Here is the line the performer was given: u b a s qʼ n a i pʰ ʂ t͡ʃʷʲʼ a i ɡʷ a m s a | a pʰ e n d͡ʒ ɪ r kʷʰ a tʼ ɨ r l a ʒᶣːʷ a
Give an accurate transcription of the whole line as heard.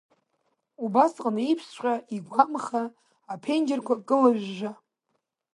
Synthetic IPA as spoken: u b a s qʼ n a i pʰ s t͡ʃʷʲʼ a i ɡʷ a m χ a | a pʰ e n d͡ʒ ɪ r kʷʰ a kʼ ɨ l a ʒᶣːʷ a